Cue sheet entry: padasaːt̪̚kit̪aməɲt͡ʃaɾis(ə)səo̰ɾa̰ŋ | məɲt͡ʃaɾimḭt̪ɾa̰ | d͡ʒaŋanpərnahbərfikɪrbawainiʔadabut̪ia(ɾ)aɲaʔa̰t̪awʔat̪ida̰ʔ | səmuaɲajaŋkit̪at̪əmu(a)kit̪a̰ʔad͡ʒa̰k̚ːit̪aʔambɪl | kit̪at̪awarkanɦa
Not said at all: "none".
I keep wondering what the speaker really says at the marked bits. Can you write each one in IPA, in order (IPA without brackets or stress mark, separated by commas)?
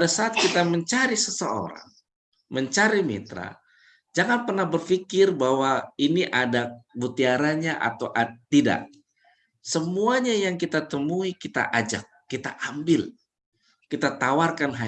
ə, ɾ, i